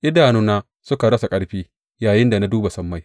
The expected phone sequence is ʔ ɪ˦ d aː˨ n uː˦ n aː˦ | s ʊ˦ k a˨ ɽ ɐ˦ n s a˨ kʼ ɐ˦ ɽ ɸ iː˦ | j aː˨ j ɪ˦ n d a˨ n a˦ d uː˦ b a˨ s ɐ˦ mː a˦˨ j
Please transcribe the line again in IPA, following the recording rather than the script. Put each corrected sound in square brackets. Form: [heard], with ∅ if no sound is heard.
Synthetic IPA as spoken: ʔ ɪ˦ d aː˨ n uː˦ n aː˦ | s ʊ˦ k a˨ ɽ ɐ˦ [∅] s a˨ kʼ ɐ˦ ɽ ɸ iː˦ | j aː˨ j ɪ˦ n d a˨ n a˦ d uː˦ b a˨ s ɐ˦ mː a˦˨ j